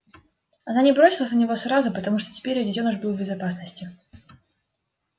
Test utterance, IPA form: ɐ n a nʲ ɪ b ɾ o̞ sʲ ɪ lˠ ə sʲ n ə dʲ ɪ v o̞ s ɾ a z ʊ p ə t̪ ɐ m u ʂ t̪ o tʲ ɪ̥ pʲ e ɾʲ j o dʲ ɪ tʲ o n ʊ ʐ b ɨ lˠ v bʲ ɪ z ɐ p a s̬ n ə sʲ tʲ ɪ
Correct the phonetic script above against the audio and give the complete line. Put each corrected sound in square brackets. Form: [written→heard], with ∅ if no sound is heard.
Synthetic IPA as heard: ɐ n a nʲ ɪ b ɾ o̞ sʲ ɪ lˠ ə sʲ n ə [dʲ→nʲ] ɪ v o̞ s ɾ a z ʊ p ə t̪ ɐ m u ʂ t̪ o tʲ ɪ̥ pʲ e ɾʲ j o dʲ ɪ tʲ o n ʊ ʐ b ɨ lˠ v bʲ ɪ z ɐ p a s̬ n ə sʲ tʲ ɪ

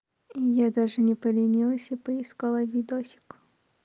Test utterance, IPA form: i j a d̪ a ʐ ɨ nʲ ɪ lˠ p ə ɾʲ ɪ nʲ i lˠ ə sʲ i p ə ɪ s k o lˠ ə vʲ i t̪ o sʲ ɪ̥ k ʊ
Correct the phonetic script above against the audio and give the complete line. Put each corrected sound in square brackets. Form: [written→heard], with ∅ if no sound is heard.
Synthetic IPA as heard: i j a d̪ a ʐ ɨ nʲ ɪ [lˠ→∅] p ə [ɾʲ→lʲ] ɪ nʲ i lˠ ə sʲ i p ə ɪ s k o lˠ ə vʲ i [t̪→d̪] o sʲ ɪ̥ k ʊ

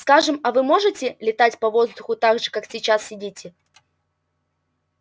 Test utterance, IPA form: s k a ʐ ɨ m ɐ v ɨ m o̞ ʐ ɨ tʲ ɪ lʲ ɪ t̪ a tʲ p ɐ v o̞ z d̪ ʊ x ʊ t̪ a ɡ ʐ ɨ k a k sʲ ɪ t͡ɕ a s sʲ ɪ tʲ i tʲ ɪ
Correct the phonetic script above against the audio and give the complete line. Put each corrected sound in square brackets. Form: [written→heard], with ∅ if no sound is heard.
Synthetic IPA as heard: s k a ʐ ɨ m ɐ v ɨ m o̞ ʐ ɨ tʲ ɪ lʲ ɪ t̪ a tʲ p ɐ v o̞ z d̪ ʊ x ʊ t̪ a ɡ ʐ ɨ k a k sʲ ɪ t͡ɕ a s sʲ ɪ [tʲ→dʲ] i tʲ ɪ

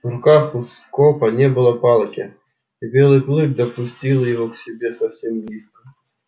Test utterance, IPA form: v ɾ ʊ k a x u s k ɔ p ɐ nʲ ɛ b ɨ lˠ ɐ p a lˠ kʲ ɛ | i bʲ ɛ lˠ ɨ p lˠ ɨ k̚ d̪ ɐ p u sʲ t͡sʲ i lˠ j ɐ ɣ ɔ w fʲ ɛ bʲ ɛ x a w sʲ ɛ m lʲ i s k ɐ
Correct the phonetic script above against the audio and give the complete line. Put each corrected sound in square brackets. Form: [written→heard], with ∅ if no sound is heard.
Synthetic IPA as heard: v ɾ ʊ k a x u s k ɔ p ɐ nʲ ɛ b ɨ lˠ ɐ p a lˠ kʲ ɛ | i bʲ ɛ lˠ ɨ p lˠ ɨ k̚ d̪ ɐ p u sʲ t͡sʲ i lˠ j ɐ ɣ ɔ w [fʲ→sʲ] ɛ bʲ ɛ [x→s] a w sʲ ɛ m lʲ i s k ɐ

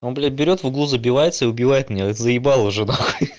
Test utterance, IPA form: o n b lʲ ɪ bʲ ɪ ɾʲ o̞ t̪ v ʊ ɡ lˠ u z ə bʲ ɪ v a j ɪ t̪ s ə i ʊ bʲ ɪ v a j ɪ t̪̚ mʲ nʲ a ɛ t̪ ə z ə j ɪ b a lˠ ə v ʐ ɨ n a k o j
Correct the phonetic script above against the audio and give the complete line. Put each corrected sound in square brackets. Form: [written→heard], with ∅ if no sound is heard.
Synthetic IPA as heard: o n b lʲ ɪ bʲ ɪ ɾʲ o̞ t̪ v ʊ ɡ lˠ u z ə bʲ ɪ v a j ɪ t̪ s ə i ʊ bʲ ɪ v a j ɪ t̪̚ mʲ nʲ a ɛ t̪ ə z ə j ɪ b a lˠ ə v ʐ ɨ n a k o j

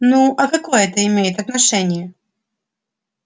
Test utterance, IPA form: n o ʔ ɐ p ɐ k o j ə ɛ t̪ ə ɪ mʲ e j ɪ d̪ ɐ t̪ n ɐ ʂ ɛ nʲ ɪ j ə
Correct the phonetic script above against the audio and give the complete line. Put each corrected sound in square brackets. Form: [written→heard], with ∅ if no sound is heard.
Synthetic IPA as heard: n [o→u] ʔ ɐ [p→k] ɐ k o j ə ɛ t̪ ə ɪ mʲ e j ɪ [d̪→t̪] ɐ t̪ n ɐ ʂ ɛ nʲ ɪ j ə

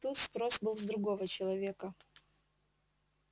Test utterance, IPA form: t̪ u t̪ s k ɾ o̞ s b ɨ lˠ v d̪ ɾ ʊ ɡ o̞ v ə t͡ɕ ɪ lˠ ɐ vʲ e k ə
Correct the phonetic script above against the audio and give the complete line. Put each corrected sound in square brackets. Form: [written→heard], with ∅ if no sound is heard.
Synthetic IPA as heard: t̪ u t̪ s [k→p] ɾ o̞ s b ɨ lˠ [v→z] d̪ ɾ ʊ ɡ o̞ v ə t͡ɕ ɪ lˠ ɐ vʲ e k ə

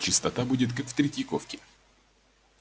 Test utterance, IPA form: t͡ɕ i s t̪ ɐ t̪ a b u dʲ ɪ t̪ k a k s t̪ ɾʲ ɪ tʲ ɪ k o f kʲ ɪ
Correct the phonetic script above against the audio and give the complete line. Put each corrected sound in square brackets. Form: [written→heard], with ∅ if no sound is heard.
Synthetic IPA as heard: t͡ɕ [i→ɪ] s t̪ ɐ t̪ a b u dʲ ɪ t̪ k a k [s→f] t̪ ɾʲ ɪ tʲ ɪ k o f kʲ ɪ

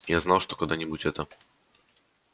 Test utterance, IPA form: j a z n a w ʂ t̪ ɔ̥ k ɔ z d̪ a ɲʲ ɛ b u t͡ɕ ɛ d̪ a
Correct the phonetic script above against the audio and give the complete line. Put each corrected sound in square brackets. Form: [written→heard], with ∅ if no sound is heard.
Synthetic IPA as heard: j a z n a w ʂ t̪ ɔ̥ k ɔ [z→∅] d̪ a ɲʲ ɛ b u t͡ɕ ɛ [d̪→t̪] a

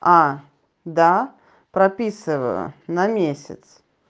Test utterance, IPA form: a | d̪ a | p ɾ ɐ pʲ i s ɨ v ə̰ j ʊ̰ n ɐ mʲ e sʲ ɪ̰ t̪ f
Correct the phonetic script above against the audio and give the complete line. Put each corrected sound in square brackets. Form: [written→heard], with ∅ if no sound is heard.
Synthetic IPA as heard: a | d̪ a | p ɾ ɐ pʲ i s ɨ v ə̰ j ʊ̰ n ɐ mʲ e sʲ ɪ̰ t̪ [f→s]

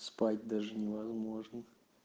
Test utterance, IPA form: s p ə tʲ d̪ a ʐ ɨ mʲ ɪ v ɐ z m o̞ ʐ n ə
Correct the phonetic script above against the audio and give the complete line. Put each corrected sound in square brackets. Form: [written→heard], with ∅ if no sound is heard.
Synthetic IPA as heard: s p [ə→a] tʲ d̪ a ʐ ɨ [mʲ→nʲ] ɪ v ɐ z m o̞ ʐ n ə

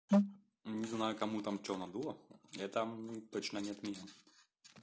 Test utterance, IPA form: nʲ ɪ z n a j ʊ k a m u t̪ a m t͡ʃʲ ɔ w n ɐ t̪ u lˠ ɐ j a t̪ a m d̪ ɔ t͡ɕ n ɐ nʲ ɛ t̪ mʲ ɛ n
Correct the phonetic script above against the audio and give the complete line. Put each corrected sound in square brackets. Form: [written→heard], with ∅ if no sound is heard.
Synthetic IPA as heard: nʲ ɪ z n a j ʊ k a m u t̪ a m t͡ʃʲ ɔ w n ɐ [t̪→d̪] u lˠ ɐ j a t̪ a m [d̪→t̪] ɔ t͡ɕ n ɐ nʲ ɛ t̪ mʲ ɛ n

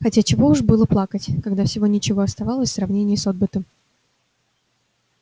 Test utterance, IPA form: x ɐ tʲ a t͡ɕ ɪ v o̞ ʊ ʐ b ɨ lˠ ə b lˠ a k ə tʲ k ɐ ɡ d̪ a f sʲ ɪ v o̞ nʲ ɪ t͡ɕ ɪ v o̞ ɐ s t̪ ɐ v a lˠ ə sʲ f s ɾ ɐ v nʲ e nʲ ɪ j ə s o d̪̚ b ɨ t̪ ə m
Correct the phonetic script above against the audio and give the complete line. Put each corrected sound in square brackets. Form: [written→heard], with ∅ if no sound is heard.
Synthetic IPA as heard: x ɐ tʲ a t͡ɕ ɪ v o̞ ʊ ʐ b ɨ lˠ ə [b→p] lˠ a k ə tʲ k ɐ ɡ d̪ a f sʲ ɪ v o̞ nʲ ɪ t͡ɕ ɪ v o̞ ɐ s t̪ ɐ v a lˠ ə sʲ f s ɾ ɐ v nʲ e nʲ ɪ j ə s o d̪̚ b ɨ t̪ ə m

